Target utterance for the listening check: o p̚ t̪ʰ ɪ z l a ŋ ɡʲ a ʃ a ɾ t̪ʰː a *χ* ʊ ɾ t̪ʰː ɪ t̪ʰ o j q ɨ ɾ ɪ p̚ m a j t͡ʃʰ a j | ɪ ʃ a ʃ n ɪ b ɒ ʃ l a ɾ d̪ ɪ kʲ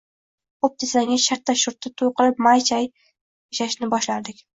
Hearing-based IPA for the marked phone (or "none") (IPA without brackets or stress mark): ʃ